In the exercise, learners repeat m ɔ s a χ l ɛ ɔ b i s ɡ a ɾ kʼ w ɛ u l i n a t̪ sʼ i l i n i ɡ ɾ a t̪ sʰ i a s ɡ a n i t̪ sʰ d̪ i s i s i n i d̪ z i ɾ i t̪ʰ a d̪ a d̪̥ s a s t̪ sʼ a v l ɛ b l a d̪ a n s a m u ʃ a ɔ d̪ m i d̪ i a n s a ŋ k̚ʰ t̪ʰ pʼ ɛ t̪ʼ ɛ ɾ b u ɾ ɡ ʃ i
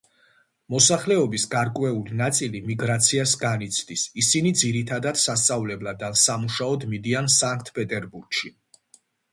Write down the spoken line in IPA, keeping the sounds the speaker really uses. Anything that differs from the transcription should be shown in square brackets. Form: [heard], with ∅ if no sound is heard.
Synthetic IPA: m ɔ s a χ l ɛ ɔ b i s ɡ a ɾ kʼ w ɛ u l i n a t̪ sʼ i l i [m] i ɡ ɾ a t̪ sʰ i a s ɡ a n i t̪ sʰ d̪ i s i s i n i d̪ z i ɾ i t̪ʰ a d̪ a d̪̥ s a s t̪ sʼ a v l ɛ b l a d̪ a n s a m u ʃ a ɔ d̪ m i d̪ i a n s a ŋ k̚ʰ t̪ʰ pʼ ɛ t̪ʼ ɛ ɾ b u ɾ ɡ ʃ i